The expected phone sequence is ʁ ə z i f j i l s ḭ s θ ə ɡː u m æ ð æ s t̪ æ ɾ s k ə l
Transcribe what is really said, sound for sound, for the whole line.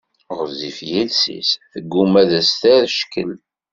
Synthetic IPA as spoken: ʁ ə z i f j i l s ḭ s θ ə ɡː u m æ ð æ s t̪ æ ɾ ʃ k ə l

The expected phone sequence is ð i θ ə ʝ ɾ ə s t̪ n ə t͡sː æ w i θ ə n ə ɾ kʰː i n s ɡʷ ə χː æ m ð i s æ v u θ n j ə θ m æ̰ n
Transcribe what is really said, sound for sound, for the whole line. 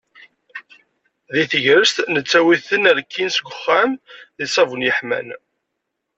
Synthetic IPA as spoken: ð i θ ə ʝ ɾ ə s t̪ n ə t͡sː æ w i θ ə n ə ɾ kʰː i n s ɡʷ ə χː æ m ð i s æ v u n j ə ħ m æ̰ n

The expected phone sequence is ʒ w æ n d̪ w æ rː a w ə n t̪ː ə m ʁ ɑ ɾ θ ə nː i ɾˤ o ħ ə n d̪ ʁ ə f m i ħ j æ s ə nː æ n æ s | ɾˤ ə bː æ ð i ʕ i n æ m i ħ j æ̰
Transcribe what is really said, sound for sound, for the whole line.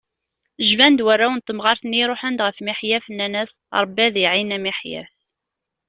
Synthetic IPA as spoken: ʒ v æ n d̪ w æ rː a w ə n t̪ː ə m ʁ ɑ ɾ θ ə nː i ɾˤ o ħ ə n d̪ ʁ ə f m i ħ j æ f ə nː æ n æ s | ɾˤ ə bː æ ð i ʕ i n æ m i ħ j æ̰

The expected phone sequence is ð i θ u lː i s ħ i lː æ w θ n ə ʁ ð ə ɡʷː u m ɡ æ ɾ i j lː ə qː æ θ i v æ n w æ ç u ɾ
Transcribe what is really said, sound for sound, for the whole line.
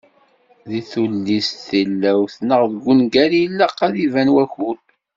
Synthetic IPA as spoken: ð i θ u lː i s θ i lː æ w θ n ə ʁ ð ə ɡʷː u n ɡ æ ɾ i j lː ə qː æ ð i v æ n w æ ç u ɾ

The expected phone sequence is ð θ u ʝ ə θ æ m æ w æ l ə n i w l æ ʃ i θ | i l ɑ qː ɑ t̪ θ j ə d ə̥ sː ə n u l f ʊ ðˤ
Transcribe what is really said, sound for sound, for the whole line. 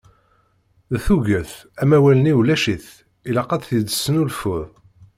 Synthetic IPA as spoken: ð θ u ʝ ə θ æ m æ w æ l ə n i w l æ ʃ i θ | i l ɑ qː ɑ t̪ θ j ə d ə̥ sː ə n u l f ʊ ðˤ

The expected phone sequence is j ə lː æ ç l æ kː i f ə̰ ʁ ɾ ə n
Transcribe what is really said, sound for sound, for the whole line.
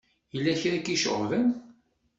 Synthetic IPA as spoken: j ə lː æ ç ɾ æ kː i ʃ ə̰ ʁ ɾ ə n

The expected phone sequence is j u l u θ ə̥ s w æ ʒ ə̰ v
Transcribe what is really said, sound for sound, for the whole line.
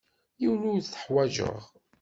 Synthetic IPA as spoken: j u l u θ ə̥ ħ w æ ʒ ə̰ ʁ

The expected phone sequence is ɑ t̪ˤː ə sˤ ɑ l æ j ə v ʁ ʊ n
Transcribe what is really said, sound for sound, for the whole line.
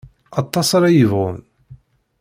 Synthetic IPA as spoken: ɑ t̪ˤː ɑ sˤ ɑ ɾ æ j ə v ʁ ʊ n

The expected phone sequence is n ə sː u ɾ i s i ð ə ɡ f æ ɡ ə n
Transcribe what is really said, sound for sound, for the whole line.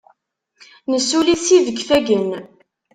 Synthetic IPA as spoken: n ə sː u l i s i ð ə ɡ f æ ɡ ə n

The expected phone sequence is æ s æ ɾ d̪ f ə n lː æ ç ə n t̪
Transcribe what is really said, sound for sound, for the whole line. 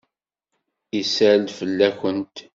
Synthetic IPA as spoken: i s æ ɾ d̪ f ə lː æ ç ə n t̪

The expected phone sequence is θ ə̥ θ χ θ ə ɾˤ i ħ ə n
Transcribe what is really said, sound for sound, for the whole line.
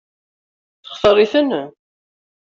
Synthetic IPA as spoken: θ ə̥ χ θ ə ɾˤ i θ ə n

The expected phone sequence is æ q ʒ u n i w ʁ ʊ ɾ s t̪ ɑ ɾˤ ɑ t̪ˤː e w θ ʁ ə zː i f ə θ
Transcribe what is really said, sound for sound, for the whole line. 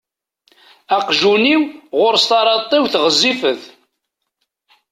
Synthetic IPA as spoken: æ q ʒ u n i w ʁ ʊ ɾ s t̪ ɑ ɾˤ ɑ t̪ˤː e w θ ʁ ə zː i f ə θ

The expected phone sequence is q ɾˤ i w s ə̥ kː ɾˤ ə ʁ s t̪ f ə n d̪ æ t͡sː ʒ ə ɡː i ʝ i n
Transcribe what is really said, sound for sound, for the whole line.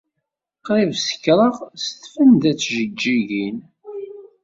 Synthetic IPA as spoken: q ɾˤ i v s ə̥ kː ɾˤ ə ʁ s t̪ f ə n d̪ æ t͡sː ʒ ə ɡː i ʝ i n

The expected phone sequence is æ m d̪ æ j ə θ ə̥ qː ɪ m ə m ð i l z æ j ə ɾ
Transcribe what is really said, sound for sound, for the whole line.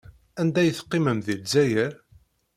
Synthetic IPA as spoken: æ n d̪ æ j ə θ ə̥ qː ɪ m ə m ð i l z æ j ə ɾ

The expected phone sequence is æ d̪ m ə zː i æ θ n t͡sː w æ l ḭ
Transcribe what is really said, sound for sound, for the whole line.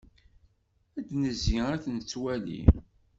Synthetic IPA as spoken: æ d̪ n ə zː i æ θ n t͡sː w æ l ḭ

